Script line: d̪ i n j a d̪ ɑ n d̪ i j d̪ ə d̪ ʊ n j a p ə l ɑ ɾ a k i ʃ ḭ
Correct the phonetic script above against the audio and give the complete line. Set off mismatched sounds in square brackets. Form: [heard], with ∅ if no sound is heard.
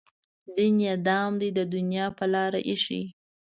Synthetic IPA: d̪ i n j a d̪ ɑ [m] d̪ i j d̪ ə d̪ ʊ n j [ɑ] p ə l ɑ ɾ a [ʔ] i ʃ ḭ